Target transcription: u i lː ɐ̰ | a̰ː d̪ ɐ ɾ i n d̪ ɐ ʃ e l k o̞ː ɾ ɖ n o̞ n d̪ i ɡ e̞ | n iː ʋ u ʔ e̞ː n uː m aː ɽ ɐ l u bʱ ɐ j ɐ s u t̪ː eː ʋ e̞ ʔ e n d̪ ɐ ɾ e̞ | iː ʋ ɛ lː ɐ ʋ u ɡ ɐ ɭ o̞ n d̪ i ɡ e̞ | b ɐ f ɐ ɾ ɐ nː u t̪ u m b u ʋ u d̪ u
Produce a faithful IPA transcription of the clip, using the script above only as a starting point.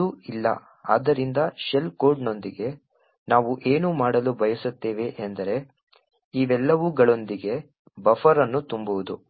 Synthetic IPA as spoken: u i lː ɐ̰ | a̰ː d̪ ɐ ɾ i n d̪ ɐ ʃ e l k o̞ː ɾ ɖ n o̞ n d̪ i ɡ e̞ | n aː ʋ u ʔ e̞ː n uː m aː ɽ ɐ l u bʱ ɐ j ɐ s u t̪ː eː ʋ e̞ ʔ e n d̪ ɐ ɾ e̞ | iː ʋ ɛ lː ɐ ʋ u ɡ ɐ ɭ o̞ n d̪ i ɡ e̞ | b ɐ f ɐ ɾ ɐ nː u t̪ u m b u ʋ u d̪ u